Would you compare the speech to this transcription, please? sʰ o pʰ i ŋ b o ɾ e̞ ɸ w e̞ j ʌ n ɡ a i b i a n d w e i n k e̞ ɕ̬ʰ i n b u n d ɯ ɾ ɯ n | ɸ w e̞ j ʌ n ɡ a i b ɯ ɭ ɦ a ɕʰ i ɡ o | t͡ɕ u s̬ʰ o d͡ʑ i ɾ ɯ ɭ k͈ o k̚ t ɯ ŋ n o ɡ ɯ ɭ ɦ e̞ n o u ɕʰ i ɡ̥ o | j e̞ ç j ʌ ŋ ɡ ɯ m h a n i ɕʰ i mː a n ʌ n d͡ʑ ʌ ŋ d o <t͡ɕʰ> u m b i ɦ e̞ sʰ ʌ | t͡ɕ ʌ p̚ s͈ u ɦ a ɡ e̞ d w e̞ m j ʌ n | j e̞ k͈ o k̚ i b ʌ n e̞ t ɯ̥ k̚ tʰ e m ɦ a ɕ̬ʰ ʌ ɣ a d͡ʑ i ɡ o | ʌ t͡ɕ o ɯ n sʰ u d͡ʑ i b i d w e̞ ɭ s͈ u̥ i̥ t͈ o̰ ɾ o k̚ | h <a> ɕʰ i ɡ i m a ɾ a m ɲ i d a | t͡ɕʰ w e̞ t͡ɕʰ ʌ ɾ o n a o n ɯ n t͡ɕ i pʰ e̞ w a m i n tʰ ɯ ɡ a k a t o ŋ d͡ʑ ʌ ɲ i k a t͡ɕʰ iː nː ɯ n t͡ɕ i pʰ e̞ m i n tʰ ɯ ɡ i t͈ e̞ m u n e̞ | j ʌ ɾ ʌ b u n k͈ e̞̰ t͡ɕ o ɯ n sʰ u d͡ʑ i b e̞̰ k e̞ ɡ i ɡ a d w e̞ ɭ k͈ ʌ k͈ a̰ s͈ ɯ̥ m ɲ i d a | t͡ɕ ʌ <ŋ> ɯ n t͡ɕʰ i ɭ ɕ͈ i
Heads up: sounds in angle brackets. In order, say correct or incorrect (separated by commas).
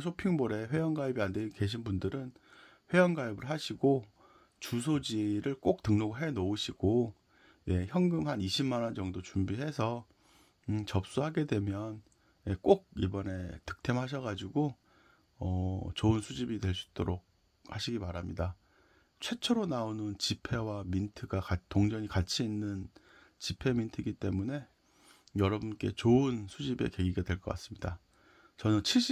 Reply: incorrect, correct, incorrect